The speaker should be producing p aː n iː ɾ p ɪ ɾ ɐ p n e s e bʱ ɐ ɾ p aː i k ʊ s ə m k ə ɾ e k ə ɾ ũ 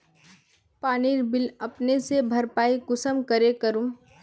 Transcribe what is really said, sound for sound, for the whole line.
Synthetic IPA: p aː n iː ɾ b ɪ l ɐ p n e s e bʱ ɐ ɾ p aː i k ʊ s ə m k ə ɾ e k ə ɾ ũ